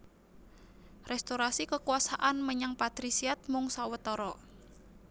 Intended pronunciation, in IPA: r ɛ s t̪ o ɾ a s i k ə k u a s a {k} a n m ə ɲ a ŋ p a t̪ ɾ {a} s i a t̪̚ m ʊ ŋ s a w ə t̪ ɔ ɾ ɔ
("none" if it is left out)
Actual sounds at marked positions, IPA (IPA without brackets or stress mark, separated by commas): ʔ, i